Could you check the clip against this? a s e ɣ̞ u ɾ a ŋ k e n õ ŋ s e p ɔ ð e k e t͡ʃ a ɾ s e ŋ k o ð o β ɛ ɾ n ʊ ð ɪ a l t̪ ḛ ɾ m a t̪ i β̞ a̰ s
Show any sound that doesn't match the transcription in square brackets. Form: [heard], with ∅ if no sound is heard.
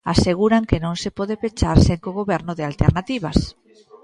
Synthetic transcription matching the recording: a s e ɣ̞ u ɾ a ŋ k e n õ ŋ s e p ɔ ð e [p] e t͡ʃ a ɾ s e ŋ k o [ɣ] o β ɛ ɾ n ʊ ð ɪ a l t̪ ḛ ɾ [n] a t̪ i β̞ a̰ s